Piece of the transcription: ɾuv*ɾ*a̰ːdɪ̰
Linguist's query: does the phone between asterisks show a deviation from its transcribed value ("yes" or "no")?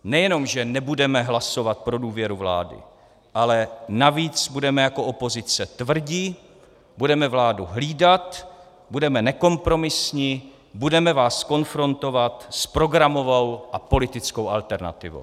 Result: yes